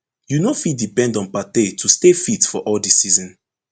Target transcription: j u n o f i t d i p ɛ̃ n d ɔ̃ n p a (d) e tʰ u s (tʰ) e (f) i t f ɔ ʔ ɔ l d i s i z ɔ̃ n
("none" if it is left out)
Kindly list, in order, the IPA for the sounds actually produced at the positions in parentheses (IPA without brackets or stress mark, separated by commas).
t, t, f